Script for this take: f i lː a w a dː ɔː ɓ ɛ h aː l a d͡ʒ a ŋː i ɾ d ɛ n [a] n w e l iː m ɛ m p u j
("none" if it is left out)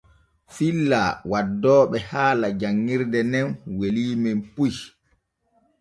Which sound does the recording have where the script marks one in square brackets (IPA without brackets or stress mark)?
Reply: ɛ